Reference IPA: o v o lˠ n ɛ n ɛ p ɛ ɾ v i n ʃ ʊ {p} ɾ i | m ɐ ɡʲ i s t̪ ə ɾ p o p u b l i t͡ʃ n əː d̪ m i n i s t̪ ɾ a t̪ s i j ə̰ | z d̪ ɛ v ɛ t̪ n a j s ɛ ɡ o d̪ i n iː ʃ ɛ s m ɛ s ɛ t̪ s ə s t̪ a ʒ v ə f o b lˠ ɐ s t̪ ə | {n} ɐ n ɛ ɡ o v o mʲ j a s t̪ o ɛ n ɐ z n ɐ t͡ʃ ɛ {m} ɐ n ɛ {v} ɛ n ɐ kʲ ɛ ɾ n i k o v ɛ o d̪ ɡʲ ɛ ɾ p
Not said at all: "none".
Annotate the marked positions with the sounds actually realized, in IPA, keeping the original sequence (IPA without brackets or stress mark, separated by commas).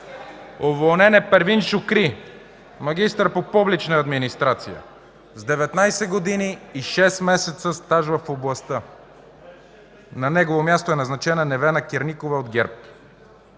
k, n, n, v